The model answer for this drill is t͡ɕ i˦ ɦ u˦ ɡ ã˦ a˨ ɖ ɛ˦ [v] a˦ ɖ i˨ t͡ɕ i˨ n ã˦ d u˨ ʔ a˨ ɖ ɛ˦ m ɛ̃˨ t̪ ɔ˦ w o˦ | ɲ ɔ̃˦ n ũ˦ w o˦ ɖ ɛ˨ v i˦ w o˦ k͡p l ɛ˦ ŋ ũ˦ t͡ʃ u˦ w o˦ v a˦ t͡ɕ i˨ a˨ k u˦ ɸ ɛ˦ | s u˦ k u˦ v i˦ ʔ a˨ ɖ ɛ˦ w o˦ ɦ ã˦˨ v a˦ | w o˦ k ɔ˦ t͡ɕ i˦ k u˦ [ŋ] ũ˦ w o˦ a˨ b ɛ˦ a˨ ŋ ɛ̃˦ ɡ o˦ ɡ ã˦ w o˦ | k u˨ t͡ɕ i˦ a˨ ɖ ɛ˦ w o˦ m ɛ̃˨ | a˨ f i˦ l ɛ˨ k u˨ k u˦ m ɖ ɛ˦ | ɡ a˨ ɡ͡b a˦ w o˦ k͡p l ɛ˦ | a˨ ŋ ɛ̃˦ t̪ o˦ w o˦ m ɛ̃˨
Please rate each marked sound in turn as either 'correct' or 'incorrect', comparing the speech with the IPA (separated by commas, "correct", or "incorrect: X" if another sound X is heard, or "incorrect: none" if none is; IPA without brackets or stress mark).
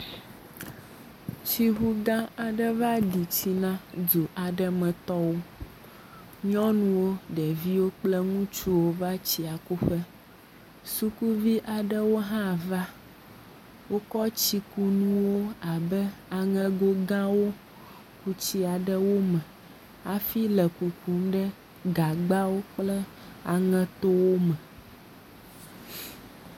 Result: correct, incorrect: n